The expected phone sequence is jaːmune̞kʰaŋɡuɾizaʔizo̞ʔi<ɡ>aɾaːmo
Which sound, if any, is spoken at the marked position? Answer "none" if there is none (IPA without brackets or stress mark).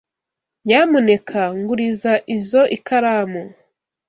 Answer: k